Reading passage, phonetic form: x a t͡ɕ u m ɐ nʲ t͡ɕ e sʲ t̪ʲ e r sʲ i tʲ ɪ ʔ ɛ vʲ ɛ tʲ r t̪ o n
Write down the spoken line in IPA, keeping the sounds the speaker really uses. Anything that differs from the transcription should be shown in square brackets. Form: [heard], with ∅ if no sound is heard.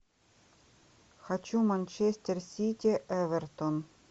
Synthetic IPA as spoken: x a t͡ɕ u m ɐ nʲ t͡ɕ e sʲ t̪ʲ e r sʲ i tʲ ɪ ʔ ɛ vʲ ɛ [∅] r t̪ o n